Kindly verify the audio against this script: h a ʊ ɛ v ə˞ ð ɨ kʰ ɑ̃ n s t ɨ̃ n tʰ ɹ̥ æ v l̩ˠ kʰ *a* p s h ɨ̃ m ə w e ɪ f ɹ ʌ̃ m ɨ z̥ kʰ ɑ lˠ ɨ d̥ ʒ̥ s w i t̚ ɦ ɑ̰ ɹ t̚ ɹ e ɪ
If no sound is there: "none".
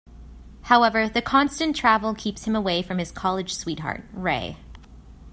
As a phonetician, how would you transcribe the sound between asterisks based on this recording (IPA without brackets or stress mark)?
i